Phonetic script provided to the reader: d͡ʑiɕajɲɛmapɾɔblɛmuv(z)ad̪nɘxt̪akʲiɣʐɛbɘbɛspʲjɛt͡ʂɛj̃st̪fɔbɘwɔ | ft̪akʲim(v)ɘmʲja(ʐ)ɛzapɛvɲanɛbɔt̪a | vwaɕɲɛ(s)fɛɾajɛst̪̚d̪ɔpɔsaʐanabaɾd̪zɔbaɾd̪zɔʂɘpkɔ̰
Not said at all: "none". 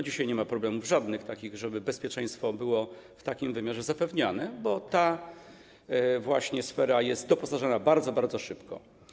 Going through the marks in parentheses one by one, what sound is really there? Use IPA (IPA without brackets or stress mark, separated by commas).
ʐ, v, ʐ, s